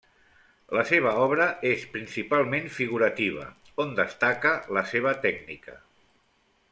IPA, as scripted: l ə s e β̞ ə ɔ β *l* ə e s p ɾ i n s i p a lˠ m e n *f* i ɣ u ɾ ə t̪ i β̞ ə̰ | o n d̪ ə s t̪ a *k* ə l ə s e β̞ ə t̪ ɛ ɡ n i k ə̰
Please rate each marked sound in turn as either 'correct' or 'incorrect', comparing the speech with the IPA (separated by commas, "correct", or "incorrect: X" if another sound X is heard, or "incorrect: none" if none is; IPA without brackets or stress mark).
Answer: incorrect: ɾ, correct, correct